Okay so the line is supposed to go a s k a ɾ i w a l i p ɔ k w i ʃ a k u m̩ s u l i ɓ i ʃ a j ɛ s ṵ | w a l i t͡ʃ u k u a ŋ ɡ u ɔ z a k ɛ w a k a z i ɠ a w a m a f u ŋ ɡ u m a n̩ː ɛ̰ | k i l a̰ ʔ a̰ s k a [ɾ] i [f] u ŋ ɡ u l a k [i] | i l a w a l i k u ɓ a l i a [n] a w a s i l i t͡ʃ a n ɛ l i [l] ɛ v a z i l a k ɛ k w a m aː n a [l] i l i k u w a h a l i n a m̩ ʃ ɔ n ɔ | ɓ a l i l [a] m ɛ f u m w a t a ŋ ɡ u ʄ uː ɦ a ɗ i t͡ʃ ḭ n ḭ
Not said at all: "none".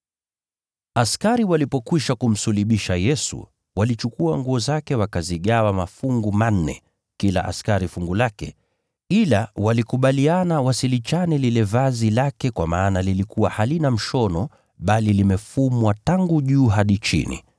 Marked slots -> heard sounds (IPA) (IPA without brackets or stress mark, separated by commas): ɾ, f, ɛ, n, l, l, i